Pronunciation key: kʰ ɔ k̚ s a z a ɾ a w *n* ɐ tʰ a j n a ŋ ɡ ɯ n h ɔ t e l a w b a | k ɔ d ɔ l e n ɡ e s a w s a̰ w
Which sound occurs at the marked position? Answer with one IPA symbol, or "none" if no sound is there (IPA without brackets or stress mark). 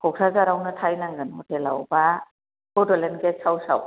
n